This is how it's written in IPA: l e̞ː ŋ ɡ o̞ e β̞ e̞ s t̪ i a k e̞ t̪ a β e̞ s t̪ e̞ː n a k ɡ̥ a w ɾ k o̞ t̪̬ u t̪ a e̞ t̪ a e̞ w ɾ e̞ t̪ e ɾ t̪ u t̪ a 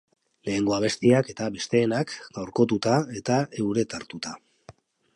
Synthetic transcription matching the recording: l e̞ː ŋ ɡ o̞ a β̞ e̞ s t̪ i a k e̞ t̪ a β e̞ s t̪ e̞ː n a k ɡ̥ a w ɾ k o̞ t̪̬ u t̪ a e̞ t̪ a e̞ w ɾ e̞ t̪ a ɾ t̪ u t̪ a